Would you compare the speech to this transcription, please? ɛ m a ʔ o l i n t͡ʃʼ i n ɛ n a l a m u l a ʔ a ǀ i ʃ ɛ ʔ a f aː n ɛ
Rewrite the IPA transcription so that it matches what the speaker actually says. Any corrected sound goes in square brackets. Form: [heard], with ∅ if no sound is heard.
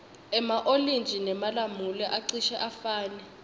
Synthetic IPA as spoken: ɛ m a ʔ o l i n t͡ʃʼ i n ɛ [m] a l a m u l [ɛ] ʔ a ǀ i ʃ ɛ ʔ a f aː n ɛ